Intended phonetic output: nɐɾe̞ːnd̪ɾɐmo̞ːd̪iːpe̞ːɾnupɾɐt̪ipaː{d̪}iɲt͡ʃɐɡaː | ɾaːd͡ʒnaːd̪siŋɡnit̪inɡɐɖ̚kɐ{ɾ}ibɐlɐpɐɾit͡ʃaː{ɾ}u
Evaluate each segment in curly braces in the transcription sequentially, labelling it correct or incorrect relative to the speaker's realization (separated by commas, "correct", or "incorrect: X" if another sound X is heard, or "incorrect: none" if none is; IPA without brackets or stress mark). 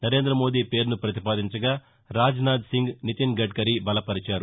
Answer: correct, correct, correct